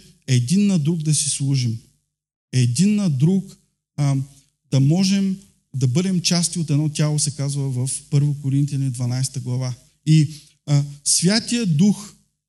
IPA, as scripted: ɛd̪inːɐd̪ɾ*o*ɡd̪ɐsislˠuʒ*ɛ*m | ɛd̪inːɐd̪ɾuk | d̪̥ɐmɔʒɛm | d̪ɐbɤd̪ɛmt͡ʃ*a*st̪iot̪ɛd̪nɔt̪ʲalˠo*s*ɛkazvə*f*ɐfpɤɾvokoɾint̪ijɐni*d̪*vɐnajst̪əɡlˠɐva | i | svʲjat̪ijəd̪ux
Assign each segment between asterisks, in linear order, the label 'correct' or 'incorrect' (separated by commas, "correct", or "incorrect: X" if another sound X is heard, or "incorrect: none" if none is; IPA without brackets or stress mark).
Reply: incorrect: u, incorrect: i, correct, correct, incorrect: v, correct